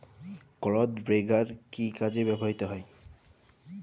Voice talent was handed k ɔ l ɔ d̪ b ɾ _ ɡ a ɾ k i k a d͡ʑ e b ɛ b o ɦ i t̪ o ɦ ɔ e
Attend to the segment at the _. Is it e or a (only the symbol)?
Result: e